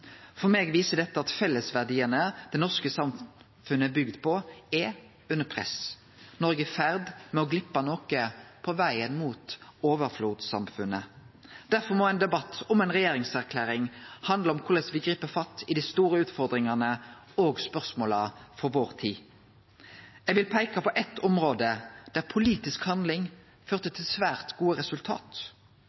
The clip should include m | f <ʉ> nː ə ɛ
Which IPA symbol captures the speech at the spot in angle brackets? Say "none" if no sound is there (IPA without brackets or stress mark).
ʉ